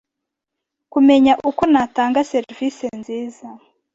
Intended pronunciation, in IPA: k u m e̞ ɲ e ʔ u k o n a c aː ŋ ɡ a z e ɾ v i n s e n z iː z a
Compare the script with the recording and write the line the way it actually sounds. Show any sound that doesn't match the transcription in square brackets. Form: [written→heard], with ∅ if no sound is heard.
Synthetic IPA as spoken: k u m e̞ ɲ [e→a] ʔ u k o n a [c→t] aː ŋ ɡ a [z→s] e ɾ v i [n→∅] s e n z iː z a